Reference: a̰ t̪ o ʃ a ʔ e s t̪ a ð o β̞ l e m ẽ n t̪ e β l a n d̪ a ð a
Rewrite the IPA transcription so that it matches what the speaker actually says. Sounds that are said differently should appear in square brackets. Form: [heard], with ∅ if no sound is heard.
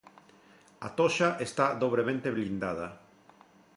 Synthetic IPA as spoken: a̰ t̪ o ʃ a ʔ e s t̪ a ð o β̞ [ɾ] e m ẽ n t̪ e β l [i] n d̪ a ð a